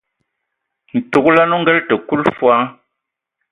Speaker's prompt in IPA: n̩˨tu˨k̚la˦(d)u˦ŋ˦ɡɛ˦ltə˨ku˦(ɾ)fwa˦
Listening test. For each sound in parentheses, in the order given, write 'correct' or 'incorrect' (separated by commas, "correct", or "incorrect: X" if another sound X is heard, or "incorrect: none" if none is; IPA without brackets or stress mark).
incorrect: n, incorrect: l